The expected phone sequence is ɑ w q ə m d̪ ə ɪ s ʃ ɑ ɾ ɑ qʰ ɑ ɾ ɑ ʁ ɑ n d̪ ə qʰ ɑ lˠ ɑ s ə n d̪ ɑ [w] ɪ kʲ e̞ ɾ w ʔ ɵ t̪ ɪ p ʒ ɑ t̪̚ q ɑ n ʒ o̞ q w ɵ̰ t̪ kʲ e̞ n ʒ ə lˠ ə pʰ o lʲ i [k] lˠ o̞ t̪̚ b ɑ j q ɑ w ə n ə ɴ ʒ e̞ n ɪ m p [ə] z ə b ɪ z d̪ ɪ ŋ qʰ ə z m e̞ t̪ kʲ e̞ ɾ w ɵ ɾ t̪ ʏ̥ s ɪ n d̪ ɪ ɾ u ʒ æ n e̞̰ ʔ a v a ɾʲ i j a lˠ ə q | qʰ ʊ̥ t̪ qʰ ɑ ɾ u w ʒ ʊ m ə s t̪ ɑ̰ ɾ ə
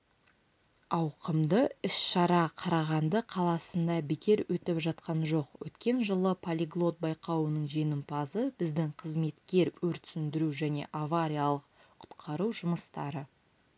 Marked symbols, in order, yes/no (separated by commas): no, no, no